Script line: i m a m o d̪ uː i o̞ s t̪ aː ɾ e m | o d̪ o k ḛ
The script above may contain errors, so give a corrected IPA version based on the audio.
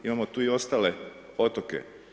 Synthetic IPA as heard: i m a m o t̪ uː i o̞ s t̪ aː l e | o t̪ o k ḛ